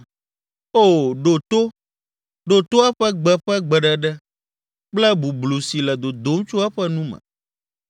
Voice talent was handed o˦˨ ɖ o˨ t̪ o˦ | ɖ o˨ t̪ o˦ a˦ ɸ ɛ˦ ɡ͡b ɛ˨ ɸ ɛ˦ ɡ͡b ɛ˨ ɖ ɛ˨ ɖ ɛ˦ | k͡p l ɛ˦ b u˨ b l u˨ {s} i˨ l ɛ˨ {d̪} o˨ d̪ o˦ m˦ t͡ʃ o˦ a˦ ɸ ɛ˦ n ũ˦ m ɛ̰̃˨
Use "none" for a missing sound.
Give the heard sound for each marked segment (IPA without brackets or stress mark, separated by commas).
s, d̪